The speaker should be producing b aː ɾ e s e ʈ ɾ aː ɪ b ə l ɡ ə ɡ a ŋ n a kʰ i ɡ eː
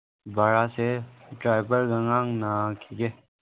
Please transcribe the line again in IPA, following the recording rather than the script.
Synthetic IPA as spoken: b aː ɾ a s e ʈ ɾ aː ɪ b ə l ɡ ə ŋ a ŋ n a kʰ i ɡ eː